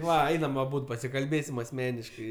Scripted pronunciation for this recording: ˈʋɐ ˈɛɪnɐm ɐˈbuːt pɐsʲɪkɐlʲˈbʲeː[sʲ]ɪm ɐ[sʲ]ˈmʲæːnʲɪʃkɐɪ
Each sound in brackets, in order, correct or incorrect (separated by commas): correct, correct